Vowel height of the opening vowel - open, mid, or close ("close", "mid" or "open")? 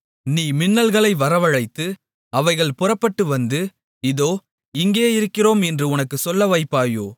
close